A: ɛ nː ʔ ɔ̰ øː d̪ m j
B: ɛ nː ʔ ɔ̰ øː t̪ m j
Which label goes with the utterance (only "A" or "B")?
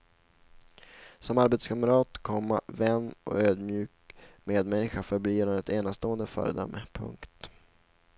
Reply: A